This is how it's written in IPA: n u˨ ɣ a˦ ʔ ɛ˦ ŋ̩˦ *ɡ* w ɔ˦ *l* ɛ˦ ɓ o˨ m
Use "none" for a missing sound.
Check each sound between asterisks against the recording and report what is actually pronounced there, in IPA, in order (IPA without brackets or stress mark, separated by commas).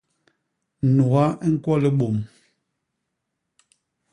k, l